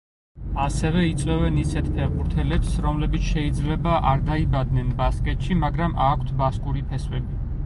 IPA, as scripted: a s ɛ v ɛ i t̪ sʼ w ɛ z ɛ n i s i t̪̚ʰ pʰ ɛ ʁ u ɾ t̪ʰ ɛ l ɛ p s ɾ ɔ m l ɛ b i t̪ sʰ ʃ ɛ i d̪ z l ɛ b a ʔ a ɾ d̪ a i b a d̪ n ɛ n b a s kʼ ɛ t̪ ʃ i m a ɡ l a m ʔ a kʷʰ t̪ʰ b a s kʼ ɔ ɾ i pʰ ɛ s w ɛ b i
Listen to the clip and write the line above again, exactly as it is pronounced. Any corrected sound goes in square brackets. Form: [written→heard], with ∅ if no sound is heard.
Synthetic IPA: a s ɛ v ɛ i t̪ sʼ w ɛ [z→v] ɛ n i s [i→ɛ] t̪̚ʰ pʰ ɛ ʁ u ɾ t̪ʰ ɛ l ɛ p s ɾ ɔ m l ɛ b i t̪ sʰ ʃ ɛ i d̪ z l ɛ b a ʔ a ɾ d̪ a i b a d̪ n ɛ n b a s kʼ ɛ t̪ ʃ i m a ɡ [l→ɾ] a m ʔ a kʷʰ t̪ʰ b a s kʼ [ɔ→u] ɾ i pʰ ɛ s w ɛ b i